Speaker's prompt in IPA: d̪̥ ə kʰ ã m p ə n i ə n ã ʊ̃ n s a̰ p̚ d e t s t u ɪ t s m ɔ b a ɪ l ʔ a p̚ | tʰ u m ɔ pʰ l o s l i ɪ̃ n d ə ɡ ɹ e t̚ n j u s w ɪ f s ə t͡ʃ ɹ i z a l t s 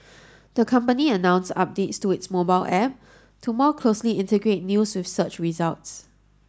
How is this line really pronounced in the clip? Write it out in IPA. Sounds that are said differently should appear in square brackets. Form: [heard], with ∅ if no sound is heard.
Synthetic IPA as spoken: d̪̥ ə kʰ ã m p ə n i ə n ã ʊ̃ n s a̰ p̚ d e t s t u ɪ t s m [o] b a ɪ l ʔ [ɛ] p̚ | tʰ u m ɔ [kʰ] l o s l i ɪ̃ n [t] ə ɡ ɹ e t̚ n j u s w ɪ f s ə t͡ʃ ɹ i z a l t s